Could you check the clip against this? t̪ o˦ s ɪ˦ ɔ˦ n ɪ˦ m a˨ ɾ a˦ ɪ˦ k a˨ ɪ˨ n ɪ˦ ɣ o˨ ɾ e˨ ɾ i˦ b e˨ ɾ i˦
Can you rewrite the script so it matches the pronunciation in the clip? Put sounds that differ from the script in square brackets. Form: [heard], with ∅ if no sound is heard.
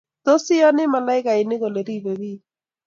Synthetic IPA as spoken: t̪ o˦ s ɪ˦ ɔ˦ n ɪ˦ m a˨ [l] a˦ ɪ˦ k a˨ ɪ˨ n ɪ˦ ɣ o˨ [l] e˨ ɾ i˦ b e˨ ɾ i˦